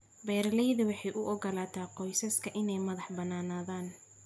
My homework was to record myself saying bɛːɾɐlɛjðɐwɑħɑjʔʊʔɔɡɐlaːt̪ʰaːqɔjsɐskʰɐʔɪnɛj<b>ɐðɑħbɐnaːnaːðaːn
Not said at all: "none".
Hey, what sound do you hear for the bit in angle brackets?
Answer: m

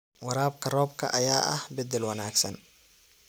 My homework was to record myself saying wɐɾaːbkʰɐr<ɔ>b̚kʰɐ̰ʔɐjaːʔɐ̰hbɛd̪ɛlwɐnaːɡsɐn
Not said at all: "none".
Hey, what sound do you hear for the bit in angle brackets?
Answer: ɔː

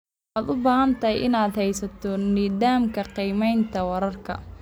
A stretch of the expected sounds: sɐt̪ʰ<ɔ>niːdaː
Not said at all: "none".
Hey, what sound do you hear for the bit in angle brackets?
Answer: ɔ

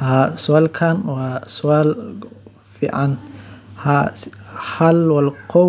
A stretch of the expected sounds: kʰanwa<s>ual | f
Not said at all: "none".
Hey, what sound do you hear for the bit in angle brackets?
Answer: s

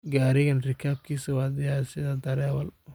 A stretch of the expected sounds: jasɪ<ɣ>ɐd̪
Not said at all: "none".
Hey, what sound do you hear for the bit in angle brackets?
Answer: ð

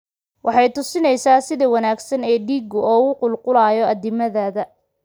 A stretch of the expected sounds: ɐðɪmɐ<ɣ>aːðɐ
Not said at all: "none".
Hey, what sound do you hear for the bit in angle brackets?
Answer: ð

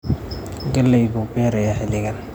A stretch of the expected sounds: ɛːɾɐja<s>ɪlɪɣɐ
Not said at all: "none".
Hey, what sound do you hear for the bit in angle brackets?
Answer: ħ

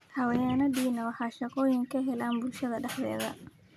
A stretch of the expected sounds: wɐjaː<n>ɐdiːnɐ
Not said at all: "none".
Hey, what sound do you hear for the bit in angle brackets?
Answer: n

